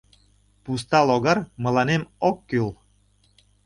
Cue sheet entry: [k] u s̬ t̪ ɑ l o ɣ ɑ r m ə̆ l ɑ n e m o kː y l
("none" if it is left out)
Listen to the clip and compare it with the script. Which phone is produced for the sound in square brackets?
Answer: p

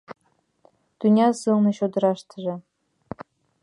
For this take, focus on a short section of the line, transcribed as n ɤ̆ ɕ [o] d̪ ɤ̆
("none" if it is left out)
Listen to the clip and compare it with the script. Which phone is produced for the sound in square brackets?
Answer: o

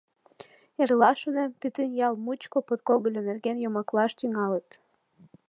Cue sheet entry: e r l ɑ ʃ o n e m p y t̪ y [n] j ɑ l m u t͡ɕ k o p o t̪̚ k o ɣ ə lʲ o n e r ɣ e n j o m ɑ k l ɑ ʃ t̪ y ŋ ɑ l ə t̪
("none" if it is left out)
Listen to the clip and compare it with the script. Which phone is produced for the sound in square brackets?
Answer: n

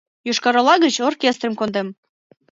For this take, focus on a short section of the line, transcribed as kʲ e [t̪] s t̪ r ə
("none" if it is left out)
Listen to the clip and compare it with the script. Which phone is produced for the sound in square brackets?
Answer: none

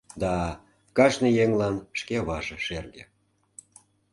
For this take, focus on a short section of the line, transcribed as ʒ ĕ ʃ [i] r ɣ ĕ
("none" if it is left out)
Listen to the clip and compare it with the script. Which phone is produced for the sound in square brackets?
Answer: e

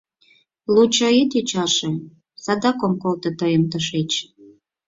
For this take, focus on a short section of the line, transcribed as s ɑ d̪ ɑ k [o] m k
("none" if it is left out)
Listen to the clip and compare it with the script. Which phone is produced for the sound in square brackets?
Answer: o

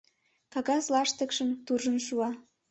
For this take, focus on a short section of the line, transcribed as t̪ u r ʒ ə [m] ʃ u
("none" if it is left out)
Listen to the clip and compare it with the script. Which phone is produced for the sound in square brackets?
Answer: n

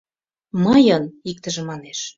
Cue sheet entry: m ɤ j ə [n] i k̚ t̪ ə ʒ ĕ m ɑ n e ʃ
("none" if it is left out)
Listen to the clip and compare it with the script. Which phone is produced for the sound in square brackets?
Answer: n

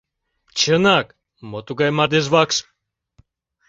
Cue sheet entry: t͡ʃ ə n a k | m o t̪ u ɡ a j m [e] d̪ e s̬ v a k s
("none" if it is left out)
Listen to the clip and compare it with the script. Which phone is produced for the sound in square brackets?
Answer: a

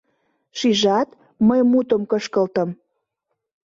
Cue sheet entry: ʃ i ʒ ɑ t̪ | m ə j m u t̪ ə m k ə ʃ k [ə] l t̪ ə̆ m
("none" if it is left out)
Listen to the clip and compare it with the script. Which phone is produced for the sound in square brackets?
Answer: ə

